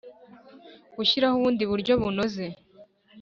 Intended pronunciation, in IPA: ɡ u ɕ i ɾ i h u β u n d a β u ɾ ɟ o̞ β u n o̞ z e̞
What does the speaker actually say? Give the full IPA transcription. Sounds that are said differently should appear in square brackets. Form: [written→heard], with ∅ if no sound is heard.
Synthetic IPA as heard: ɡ u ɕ i ɾ [i→a] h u β [u→uː] n d [a→i] β u ɾ ɟ o̞ β u n o̞ z e̞